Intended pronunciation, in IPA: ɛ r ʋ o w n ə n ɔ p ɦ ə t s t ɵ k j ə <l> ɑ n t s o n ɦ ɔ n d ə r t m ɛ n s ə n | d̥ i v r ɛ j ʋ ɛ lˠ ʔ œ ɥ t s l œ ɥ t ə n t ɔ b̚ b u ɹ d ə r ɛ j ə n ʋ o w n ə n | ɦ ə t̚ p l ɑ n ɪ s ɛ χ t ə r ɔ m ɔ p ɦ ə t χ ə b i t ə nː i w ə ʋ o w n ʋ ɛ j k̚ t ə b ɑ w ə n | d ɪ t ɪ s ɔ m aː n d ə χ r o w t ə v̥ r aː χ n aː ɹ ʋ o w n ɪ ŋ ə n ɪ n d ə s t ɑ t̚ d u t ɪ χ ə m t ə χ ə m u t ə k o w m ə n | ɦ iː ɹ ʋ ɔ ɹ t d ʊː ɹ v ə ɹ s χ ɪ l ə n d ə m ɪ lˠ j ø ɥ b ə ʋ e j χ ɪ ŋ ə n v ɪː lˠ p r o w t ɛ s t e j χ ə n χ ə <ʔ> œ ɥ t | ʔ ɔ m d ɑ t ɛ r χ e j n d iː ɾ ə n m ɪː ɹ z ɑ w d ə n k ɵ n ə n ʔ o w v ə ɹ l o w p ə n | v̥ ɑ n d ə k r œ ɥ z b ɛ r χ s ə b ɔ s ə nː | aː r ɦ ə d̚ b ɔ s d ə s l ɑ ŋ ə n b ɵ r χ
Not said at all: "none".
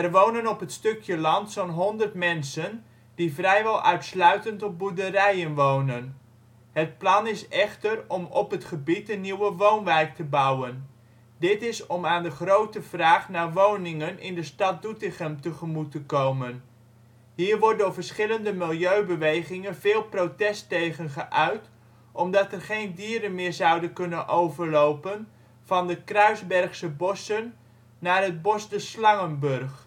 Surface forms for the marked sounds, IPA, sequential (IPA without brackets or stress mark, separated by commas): l, ʔ